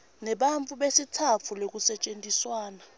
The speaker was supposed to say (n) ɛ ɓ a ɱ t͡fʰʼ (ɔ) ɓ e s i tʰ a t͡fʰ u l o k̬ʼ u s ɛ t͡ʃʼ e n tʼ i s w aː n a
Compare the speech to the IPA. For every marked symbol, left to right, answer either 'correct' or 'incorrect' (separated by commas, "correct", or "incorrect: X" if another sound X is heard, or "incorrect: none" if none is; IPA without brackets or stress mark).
correct, incorrect: u